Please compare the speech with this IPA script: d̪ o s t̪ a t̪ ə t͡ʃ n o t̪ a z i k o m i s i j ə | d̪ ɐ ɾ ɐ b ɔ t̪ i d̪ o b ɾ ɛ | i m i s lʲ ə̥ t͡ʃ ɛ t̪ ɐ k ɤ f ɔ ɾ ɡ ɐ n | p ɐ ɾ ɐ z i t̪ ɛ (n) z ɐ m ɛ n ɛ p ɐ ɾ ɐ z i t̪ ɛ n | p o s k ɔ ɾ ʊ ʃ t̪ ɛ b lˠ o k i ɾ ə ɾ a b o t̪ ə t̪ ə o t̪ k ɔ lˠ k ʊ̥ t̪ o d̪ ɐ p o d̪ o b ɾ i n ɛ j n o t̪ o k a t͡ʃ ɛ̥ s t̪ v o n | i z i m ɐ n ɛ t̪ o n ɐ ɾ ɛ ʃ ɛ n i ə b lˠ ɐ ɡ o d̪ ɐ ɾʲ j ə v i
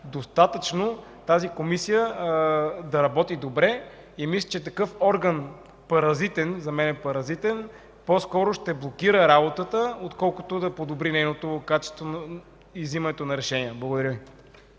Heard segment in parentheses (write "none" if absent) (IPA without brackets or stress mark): n